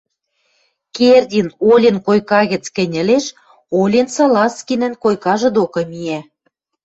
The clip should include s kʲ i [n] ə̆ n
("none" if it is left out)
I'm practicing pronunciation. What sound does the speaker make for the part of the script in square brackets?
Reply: n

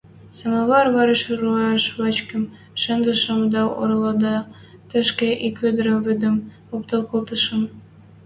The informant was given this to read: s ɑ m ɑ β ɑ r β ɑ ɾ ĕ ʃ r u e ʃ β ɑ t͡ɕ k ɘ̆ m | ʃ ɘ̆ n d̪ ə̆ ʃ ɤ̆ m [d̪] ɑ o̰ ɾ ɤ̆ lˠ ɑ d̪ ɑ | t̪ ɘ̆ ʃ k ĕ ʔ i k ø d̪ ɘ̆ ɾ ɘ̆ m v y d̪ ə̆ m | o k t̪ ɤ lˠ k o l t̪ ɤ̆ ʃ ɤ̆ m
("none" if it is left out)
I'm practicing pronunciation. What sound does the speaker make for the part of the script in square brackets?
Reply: d̪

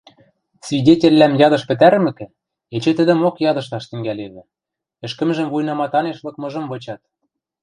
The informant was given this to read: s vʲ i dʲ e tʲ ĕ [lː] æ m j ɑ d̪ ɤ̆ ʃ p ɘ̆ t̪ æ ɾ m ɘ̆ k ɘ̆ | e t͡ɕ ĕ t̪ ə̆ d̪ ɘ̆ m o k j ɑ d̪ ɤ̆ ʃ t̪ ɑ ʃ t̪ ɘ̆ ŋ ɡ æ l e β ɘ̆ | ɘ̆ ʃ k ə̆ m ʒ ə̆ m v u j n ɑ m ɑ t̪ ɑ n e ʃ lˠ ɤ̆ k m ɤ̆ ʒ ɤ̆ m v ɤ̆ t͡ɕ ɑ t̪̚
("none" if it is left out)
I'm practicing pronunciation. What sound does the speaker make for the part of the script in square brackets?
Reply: lː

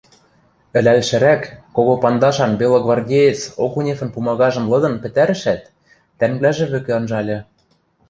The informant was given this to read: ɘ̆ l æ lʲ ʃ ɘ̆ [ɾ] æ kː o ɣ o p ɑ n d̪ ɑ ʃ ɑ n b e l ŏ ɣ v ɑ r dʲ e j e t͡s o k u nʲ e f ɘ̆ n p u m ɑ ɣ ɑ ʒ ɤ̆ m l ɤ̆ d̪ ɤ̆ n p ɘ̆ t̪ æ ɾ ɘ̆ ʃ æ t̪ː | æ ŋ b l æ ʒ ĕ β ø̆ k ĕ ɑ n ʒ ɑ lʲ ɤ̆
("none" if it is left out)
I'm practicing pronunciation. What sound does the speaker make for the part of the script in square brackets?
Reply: ɾ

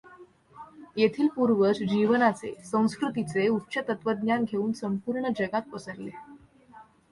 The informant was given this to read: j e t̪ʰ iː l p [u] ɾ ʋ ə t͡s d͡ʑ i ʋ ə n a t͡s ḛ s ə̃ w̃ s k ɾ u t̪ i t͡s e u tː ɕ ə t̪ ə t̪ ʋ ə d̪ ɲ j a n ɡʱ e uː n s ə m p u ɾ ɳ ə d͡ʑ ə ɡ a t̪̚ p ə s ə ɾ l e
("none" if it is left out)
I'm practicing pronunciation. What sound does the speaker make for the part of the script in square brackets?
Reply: u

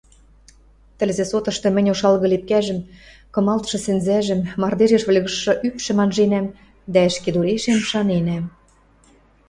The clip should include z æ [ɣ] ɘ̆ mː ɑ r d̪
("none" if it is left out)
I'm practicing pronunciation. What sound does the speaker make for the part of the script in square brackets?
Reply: ʒ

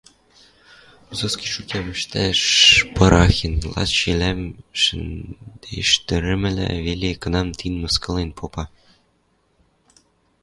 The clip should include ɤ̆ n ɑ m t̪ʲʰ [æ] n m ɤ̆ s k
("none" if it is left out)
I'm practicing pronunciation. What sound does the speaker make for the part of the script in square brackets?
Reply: i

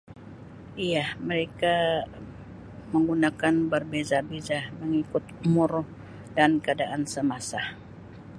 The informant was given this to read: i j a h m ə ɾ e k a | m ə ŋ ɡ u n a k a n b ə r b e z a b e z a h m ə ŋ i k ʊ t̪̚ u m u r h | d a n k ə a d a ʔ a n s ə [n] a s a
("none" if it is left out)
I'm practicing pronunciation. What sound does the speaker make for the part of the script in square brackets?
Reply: m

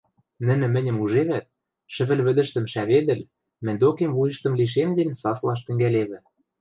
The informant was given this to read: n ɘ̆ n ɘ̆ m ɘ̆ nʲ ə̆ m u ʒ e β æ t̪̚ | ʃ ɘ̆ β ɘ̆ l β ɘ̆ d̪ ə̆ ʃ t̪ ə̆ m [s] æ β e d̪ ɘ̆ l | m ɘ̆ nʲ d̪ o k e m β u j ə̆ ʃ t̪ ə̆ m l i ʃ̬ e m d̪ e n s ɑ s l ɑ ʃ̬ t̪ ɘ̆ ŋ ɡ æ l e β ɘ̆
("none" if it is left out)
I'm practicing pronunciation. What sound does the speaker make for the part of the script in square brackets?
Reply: ʃ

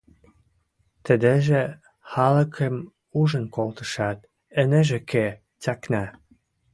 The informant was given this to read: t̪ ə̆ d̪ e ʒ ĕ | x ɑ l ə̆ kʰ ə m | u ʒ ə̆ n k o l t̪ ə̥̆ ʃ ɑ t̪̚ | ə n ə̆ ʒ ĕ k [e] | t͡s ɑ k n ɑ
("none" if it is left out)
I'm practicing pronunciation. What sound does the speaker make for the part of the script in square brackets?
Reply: e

